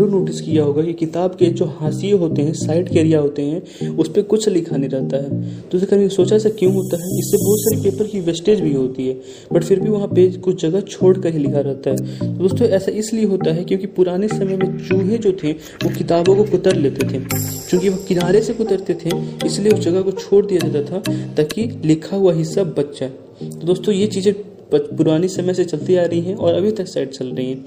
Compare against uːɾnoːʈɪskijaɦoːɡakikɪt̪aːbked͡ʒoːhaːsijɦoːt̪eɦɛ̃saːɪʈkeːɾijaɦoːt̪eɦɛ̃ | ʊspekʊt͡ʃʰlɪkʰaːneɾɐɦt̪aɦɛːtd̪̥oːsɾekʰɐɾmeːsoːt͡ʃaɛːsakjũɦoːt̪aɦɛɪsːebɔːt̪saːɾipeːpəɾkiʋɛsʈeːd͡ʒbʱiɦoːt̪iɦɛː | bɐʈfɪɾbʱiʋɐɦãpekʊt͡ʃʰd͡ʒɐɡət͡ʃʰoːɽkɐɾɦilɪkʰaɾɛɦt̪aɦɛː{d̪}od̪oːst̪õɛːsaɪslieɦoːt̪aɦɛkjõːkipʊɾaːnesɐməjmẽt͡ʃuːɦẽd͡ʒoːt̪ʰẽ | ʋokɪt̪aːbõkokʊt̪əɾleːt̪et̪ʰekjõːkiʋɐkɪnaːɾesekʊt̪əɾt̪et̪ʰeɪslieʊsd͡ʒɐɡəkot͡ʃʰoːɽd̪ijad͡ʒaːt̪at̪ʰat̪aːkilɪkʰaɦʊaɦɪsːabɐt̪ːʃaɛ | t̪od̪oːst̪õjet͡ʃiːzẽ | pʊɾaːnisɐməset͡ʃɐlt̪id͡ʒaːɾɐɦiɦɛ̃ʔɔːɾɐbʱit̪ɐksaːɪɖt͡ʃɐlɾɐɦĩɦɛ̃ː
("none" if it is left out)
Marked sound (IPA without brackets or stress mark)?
t̪